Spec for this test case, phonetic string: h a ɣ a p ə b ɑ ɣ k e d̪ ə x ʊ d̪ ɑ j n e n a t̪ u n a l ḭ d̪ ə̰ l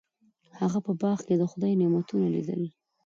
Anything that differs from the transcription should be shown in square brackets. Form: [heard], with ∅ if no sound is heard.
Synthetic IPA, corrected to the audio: h a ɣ a p ə b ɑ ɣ k e d̪ ə x ʊ d̪ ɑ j n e [m] a t̪ u n a l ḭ d̪ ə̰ l